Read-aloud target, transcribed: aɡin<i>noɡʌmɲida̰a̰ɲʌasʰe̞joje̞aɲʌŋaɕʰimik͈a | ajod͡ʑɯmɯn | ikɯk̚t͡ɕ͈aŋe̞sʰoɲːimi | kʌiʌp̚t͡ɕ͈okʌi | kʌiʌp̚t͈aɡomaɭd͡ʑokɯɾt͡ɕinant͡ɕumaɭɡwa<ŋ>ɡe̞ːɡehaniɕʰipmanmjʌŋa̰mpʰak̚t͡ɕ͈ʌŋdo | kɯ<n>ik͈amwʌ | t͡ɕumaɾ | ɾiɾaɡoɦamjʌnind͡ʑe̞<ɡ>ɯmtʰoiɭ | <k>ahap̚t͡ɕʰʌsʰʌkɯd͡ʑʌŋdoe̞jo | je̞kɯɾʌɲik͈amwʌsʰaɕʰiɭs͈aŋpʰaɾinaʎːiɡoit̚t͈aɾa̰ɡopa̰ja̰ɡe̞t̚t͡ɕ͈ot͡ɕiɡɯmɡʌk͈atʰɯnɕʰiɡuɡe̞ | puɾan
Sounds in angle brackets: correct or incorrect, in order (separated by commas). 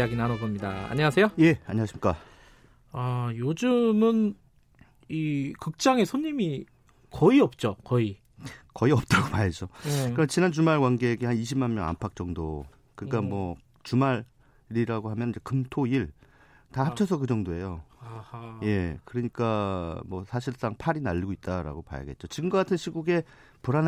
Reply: incorrect, incorrect, incorrect, incorrect, incorrect